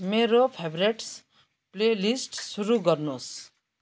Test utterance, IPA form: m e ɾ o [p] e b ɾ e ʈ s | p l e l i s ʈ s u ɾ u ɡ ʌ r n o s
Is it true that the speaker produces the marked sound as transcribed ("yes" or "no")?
no